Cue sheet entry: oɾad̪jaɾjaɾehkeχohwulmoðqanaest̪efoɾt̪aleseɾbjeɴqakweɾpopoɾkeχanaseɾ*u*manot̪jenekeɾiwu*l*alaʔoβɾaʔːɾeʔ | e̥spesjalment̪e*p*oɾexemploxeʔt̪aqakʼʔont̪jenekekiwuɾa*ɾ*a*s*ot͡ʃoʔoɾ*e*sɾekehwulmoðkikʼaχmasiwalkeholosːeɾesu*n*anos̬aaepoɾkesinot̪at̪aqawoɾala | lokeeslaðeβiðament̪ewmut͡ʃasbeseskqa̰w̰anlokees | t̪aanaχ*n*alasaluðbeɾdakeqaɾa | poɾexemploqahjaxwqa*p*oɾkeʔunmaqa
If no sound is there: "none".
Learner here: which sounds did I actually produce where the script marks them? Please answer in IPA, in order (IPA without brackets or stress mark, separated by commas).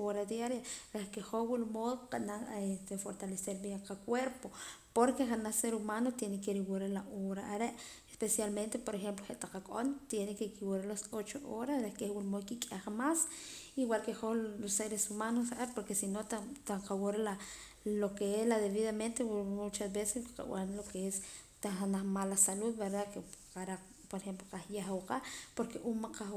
u, ɾ, p, l, s, a, m, m, p